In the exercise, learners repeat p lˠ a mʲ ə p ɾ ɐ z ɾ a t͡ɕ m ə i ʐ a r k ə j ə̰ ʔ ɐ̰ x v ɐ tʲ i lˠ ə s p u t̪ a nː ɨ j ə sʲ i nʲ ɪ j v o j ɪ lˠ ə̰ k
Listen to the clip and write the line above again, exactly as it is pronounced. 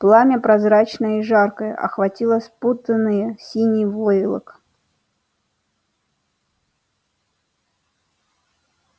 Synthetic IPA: p lˠ a mʲ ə p ɾ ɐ z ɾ a t͡ɕ n ə i ʐ a r k ə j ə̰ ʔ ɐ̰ x v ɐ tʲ i lˠ ə s p u t̪ ə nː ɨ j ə sʲ i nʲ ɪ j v o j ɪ lˠ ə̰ k